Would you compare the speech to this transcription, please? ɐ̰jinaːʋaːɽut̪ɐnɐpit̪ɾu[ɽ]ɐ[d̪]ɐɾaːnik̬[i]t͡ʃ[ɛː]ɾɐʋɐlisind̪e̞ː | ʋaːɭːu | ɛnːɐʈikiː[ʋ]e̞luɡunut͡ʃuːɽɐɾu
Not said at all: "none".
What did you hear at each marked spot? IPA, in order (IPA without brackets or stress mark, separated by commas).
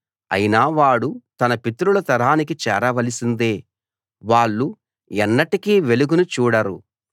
l, t̪, i, ɛː, ʋ